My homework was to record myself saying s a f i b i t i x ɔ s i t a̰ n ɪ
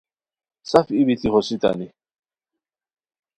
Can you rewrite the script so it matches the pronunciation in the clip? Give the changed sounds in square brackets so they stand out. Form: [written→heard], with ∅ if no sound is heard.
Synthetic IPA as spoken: s a f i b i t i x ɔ s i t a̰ n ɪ